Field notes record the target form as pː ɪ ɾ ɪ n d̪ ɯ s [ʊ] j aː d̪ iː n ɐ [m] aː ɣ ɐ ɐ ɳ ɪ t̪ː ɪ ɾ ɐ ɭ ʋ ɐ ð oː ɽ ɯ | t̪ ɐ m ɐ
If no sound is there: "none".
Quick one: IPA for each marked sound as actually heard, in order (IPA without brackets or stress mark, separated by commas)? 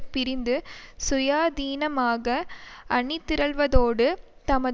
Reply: ʊ, m